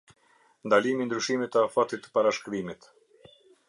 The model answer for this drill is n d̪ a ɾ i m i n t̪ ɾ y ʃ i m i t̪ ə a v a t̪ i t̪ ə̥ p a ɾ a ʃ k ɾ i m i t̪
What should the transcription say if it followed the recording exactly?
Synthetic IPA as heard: n d̪ a l i m i n d̪ ɾ y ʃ i m i t̪ ə a f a t̪ i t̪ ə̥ p a ɾ a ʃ k ɾ i m i t̪

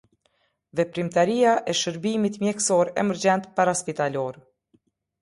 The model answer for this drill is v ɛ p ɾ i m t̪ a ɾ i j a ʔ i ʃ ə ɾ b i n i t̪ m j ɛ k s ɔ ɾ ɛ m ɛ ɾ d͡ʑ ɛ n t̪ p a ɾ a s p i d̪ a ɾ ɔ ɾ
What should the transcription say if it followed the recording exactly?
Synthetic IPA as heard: v ɛ p ɾ i m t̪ a ɾ i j a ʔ ɛ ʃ ə ɾ b i m i t̪ m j ɛ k s ɔ ɾ ɛ m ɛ ɾ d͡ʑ ɛ n t̪ p a ɾ a s p i t̪ a l ɔ ɾ

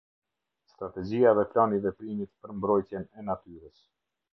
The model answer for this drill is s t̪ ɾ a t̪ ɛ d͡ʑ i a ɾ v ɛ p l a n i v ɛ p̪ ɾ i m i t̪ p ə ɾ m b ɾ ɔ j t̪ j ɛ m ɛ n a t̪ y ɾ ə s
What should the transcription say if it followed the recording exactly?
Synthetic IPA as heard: s t̪ ɾ a t̪ ɛ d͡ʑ i a v ɛ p l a n i v ɛ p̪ ɾ i m i t̪ p ə ɾ m b ɾ ɔ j t̪ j ɛ n ɛ n a t̪ y ɾ ə s

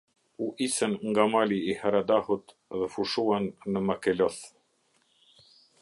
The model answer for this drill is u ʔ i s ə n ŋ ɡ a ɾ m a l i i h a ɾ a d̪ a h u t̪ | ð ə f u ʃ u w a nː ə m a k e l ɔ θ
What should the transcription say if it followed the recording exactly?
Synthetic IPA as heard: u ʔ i s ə n ŋ ɡ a m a l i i h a ɾ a d̪ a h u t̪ | ð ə f u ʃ u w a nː ə m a k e l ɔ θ

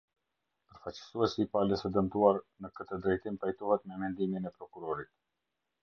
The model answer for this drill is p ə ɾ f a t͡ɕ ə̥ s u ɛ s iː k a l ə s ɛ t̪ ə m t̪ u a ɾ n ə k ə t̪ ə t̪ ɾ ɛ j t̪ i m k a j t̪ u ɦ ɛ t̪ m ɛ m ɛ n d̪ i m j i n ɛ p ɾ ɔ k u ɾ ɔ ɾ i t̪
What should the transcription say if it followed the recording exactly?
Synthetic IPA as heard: p ə ɾ f a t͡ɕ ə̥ s u ɛ s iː p a l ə s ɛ d̪ ə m t̪ u a ɾ n ə k ə t̪ ə d̪ ɾ ɛ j t̪ i m p a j t̪ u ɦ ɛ t̪ m ɛ m ɛ n d̪ i m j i n ɛ p ɾ ɔ k u ɾ ɔ ɾ i t̪

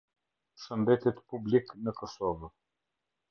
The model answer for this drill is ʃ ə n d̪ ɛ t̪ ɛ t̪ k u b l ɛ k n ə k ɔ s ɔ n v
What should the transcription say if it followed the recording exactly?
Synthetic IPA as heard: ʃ ə n d̪ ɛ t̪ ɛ t̪ p u b l i k n ə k ɔ s ɔ v

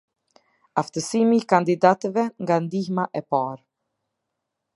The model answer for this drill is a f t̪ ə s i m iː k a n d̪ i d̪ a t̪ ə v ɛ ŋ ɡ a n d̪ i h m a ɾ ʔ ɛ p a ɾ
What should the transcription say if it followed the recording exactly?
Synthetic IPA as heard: a f t̪ ə s i m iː k a n d̪ i d̪ a t̪ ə v ɛ ŋ ɡ a n d̪ i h m a ʔ ɛ p a ɾ

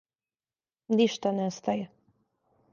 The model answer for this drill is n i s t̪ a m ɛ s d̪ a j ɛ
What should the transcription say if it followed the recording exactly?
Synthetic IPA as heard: n i ʃ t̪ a n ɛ s t̪ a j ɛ

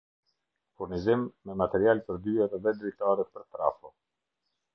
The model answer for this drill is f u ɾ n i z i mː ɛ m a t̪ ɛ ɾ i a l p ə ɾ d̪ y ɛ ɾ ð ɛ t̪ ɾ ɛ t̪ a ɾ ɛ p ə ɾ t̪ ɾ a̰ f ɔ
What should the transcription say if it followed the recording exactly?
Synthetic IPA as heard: f u ɾ n i z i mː ɛ m a t̪ ɛ ɾ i a l p ə ɾ d̪ y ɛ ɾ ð ɛ d̪ ɾ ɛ t̪ a ɾ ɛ p ə ɾ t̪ ɾ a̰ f ɔ

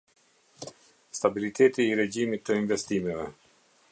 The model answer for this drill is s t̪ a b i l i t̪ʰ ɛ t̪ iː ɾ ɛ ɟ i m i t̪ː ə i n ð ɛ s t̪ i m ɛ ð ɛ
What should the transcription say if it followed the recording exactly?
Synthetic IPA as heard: s t̪ a b i l i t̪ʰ ɛ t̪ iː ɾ ɛ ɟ i m i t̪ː ə i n v ɛ s t̪ i m ɛ v ɛ

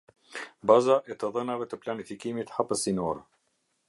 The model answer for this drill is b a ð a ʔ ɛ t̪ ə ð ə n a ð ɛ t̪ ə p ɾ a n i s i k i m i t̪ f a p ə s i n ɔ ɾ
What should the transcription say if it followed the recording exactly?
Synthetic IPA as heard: b a z a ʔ ɛ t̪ ə ð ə n a v ɛ t̪ ə p l a n i f i k i m i t̪ h a p ə s i n ɔ ɾ

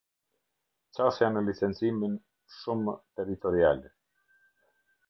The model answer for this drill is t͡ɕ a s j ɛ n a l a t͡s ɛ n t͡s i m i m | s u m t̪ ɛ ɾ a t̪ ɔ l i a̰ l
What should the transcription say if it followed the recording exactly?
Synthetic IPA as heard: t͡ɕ a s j a n ə l i t͡s ɛ n t͡s i m i n | ʃ u m t̪ ɛ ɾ i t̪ ɔ ɾ i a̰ l

